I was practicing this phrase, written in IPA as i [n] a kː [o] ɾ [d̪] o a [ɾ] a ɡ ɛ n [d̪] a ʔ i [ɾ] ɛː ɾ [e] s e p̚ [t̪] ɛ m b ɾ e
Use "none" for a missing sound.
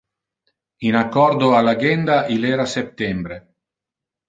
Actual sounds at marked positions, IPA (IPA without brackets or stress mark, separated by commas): n, ɔ, d̪, l, d̪, l, a, t̪